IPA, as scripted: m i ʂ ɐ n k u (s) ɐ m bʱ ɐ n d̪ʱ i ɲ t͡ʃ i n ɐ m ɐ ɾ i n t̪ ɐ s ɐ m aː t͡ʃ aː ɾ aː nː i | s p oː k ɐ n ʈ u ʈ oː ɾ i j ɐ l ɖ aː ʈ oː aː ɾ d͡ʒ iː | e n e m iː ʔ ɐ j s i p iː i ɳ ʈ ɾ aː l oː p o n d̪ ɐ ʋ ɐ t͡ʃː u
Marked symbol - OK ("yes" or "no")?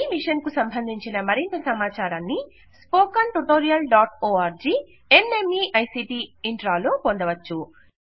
yes